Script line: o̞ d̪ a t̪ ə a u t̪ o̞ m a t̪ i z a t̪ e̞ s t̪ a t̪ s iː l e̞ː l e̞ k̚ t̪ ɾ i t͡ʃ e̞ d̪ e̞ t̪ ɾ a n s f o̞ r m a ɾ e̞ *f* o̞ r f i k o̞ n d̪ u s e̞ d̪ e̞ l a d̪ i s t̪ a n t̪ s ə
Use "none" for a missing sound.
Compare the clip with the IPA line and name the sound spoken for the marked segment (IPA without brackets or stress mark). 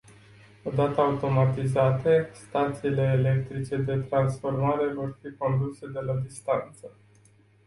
v